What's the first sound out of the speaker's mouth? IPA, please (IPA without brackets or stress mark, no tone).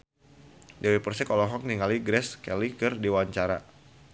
d